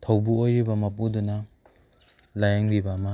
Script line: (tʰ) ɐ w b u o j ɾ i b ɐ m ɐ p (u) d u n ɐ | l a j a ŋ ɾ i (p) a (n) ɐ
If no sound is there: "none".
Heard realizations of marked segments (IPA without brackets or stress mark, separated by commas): tʰ, u, b, m